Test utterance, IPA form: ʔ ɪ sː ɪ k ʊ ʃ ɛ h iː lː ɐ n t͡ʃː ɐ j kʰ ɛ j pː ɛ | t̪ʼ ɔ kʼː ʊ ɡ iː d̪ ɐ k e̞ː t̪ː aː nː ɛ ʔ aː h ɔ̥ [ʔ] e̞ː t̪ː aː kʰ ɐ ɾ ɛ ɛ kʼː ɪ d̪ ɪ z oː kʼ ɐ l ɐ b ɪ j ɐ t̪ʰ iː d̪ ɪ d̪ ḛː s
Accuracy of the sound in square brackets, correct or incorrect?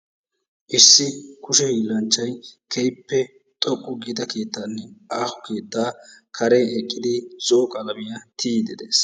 incorrect